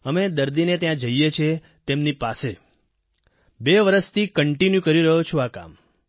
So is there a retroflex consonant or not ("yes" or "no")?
yes